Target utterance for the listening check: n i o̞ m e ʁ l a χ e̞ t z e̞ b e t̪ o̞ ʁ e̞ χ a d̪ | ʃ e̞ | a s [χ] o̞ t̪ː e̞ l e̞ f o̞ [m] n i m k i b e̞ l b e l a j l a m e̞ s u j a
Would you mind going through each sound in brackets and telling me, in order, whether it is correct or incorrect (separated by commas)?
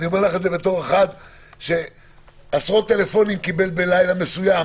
incorrect, incorrect